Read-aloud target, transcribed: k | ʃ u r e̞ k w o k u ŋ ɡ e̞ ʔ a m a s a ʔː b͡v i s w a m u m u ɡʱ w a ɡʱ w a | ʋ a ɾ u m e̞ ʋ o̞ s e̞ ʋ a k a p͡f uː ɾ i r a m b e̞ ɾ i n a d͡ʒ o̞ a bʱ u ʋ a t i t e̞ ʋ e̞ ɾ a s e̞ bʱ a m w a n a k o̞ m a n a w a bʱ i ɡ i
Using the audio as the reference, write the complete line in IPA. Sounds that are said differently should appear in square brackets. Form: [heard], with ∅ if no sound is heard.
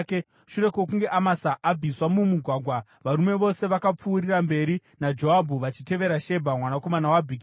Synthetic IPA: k | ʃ u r e̞ k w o k u ŋ ɡ e̞ ʔ a m a s a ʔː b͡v i s w a m u m u ɡʱ w a ɡʱ w a | ʋ a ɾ u m e̞ ʋ o̞ s e̞ ʋ a k a p͡f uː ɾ i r a m b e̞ ɾ i n a d͡ʒ o̞ a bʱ u ʋ a [t͡ʃ] i t e̞ ʋ e̞ ɾ a [ʃ] e̞ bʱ a m w a n a k o̞ m a n a w a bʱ i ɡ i